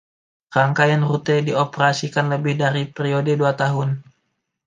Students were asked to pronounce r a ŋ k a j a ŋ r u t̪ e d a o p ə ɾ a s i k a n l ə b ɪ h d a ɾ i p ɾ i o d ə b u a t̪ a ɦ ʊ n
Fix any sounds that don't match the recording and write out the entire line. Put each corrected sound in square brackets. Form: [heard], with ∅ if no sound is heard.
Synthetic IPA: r a ŋ k a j a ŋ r u t̪ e d [i] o p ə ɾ a s i k a n l ə b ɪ h d a ɾ i p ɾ i o d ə [d] u a t̪ a ɦ ʊ n